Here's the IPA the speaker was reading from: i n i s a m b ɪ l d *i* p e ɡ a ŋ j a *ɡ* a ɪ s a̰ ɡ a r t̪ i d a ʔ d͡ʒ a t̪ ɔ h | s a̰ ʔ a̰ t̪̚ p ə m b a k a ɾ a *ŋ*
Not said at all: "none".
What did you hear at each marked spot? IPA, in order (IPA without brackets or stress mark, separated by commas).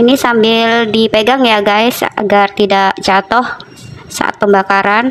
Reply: i, ɡ, n